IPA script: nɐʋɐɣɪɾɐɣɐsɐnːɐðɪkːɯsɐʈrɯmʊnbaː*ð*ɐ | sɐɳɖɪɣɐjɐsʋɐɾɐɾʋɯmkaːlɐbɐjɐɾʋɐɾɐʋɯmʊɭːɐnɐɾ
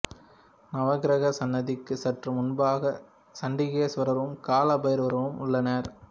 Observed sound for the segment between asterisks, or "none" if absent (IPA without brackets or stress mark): ɣ